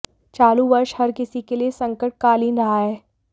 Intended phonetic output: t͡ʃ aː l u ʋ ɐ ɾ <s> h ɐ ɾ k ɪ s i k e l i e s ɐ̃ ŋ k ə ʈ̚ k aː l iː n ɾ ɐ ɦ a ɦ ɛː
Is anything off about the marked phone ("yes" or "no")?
yes